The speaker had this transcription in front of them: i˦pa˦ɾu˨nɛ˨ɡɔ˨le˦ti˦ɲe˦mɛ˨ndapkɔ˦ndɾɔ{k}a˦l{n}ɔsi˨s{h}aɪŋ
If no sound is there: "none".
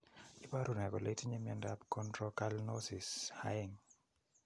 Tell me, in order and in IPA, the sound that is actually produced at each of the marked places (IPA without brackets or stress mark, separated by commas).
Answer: k, n, h